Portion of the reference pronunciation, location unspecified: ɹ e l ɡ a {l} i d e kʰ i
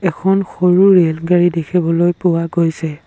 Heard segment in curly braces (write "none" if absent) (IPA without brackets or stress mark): ɹ